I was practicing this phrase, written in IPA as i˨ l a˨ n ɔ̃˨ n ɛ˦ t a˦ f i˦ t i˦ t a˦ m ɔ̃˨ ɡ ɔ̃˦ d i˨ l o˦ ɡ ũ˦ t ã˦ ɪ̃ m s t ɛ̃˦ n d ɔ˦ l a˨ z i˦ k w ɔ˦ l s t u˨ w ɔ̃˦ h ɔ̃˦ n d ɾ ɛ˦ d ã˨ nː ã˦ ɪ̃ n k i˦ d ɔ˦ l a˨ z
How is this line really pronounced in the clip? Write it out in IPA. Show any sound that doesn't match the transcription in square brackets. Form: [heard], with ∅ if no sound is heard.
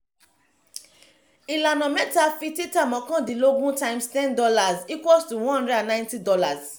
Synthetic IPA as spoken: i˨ l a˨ n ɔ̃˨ [m] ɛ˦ t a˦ f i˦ t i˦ t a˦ m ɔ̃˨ [k] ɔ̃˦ d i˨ l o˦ ɡ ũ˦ t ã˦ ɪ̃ m s t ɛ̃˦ n d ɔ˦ l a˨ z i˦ k w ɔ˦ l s t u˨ w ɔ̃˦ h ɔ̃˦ n d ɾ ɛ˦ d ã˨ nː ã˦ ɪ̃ n [t] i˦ d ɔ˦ l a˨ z

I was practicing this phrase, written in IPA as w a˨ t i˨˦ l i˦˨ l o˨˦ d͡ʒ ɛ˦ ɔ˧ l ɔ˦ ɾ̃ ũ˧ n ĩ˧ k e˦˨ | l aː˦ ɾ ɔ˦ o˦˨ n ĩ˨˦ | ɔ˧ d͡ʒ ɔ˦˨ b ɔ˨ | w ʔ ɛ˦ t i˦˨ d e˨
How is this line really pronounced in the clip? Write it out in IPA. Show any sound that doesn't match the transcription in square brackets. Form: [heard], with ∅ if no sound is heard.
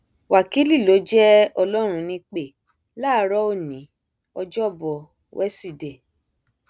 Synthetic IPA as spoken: w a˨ [k] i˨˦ l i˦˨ l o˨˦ d͡ʒ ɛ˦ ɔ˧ l ɔ˦ ɾ̃ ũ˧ n ĩ˧ [k͡p] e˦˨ | l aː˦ ɾ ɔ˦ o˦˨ n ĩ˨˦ | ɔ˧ d͡ʒ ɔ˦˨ b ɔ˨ | w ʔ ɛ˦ [s] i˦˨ d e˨

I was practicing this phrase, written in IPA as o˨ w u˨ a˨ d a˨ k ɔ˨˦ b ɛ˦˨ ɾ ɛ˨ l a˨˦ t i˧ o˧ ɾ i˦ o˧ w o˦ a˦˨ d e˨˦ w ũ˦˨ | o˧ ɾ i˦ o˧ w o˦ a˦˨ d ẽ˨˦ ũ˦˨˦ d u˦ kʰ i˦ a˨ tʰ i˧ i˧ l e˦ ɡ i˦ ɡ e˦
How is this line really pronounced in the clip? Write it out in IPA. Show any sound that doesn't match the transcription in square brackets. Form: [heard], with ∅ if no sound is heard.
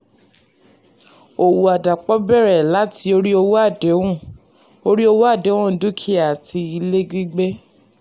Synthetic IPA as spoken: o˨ w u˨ a˨ d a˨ [k͡p] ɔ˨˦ b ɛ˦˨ ɾ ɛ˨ l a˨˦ t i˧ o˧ ɾ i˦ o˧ w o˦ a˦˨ d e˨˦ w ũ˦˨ | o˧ ɾ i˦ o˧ w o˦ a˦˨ d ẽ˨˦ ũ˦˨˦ d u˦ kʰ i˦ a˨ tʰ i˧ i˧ l e˦ ɡ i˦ [ɡ͡b] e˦

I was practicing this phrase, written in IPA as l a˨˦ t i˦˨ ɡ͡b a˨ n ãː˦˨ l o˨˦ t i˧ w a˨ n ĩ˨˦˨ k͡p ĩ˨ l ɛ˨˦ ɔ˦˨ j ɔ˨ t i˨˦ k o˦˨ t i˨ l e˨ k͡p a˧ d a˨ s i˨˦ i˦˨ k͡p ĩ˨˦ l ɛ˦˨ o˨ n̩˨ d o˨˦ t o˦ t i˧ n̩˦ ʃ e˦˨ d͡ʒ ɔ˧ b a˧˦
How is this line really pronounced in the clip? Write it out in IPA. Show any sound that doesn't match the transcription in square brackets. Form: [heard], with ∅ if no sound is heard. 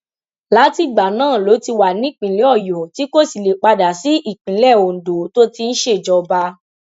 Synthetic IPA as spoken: l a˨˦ t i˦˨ ɡ͡b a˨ n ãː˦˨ l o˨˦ t i˧ w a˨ n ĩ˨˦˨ k͡p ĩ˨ l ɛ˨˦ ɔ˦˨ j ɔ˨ t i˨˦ k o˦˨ [s] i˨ l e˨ k͡p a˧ d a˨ s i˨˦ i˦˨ k͡p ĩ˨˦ l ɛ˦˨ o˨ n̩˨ d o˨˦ t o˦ t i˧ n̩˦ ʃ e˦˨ d͡ʒ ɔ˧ b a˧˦

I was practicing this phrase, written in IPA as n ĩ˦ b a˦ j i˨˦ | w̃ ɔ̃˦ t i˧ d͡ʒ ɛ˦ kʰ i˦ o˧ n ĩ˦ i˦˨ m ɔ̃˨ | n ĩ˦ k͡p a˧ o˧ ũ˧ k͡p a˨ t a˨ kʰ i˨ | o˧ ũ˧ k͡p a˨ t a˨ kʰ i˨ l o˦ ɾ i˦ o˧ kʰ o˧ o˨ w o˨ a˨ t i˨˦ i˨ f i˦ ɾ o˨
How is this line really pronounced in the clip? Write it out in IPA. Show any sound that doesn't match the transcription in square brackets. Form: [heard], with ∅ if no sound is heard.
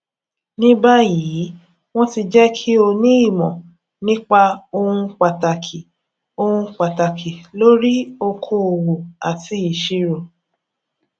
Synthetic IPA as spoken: n ĩ˦ b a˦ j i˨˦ | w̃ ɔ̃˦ t i˧ d͡ʒ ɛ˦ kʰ i˦ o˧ n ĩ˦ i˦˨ m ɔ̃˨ | n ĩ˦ k͡p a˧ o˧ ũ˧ k͡p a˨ t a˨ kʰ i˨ | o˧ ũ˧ k͡p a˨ t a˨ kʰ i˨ l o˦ ɾ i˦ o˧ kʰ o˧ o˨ w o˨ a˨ t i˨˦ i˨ [ʃ] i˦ ɾ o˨

